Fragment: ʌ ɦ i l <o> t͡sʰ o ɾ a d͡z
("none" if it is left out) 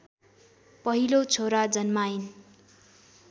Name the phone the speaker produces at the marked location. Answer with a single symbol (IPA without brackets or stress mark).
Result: o